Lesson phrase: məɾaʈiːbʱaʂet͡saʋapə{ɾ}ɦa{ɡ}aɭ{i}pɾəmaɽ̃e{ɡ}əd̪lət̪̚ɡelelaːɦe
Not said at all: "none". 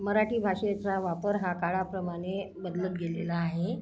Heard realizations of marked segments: ɾ, k, a, b

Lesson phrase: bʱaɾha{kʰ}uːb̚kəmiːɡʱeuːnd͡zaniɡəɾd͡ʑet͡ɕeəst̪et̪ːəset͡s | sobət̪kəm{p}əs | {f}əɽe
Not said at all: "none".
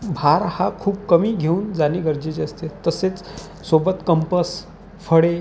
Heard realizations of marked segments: kʰ, p, f

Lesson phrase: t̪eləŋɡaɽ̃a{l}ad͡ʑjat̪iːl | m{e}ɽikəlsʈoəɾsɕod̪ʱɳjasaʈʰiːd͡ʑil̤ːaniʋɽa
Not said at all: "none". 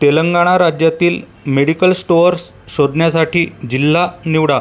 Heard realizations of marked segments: ɾ, e

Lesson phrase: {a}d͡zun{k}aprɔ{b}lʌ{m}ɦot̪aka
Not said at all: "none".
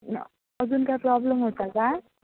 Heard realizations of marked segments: ʌ, k, b, m

